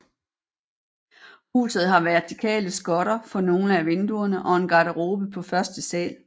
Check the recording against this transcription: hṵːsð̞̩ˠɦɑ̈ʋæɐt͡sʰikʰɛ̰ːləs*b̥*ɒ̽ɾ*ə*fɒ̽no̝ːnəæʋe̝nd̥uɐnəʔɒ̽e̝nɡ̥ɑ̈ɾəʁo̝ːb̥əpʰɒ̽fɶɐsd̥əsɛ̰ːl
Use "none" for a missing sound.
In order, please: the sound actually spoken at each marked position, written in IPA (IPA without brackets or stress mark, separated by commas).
ɡ̥, ɐ